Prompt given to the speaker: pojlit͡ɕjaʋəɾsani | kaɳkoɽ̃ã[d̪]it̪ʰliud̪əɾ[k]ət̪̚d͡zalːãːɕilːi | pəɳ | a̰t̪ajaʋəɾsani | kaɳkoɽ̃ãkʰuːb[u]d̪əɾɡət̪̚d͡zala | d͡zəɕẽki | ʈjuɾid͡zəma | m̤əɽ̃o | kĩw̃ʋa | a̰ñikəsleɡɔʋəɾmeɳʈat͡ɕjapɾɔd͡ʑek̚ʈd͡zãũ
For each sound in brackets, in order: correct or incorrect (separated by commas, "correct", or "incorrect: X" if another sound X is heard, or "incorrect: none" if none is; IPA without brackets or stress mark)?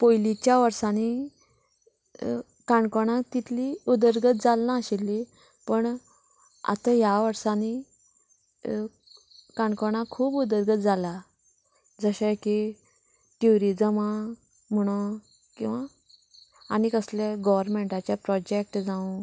incorrect: t̪, incorrect: ɡ, correct